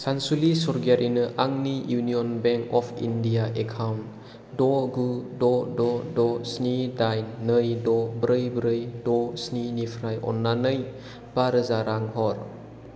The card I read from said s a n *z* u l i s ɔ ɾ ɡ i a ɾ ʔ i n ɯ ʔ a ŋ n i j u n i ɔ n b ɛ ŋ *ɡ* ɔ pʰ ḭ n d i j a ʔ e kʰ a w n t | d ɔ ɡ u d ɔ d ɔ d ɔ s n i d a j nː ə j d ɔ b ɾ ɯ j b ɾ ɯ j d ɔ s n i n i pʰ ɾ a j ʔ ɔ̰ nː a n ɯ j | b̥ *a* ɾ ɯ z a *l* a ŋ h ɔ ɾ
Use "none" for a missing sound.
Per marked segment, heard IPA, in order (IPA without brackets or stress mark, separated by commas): s, k, a, ɾ